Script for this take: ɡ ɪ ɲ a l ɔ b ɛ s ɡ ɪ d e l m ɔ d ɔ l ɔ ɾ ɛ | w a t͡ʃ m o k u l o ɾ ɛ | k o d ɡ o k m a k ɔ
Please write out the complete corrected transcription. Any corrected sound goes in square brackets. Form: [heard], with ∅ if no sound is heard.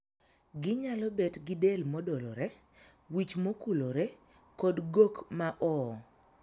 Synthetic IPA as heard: ɡ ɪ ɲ a l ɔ b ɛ [t] ɡ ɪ d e l m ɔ d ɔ l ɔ ɾ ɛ | w [i] t͡ʃ m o k u l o ɾ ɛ | k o d ɡ o k m a [ʔ] ɔ